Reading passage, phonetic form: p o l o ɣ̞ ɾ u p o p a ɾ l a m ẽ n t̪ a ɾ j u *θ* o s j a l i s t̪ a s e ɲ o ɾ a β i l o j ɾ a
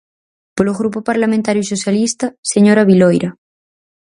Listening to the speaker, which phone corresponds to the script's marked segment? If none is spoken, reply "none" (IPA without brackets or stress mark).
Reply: s